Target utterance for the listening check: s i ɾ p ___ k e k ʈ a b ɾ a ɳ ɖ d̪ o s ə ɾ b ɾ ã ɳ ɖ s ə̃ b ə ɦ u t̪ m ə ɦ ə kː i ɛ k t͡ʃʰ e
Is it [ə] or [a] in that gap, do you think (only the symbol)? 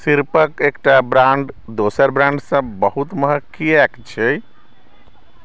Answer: ə